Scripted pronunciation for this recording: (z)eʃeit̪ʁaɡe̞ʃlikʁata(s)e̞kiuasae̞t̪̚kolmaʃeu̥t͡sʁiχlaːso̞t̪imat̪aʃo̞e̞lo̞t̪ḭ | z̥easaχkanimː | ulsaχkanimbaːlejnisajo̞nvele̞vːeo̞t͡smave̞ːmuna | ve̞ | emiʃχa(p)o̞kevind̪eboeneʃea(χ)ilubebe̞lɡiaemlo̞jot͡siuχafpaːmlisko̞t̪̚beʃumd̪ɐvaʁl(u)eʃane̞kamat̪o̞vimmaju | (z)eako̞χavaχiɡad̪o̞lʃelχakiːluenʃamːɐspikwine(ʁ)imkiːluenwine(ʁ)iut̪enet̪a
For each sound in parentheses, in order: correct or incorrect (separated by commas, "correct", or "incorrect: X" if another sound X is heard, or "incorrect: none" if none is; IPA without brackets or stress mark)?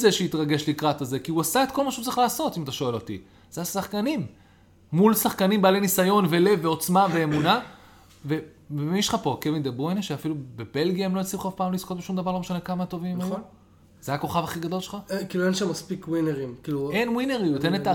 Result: correct, incorrect: z, correct, incorrect: f, incorrect: o, correct, correct, correct